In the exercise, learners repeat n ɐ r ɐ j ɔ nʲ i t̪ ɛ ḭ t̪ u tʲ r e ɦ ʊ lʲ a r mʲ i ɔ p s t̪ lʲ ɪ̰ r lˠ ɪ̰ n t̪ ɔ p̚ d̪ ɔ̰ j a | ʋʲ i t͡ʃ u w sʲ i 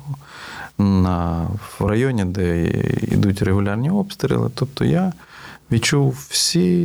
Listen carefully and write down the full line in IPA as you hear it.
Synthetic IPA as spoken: n ɐ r ɐ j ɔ nʲ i d̪ ɛ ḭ d̪ u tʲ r e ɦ ʊ lʲ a r nʲ i ɔ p s t̪ ɾʲ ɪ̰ lˠ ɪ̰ t̪ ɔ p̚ t̪ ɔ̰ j a | ʋʲ i t͡ʃ u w sʲ i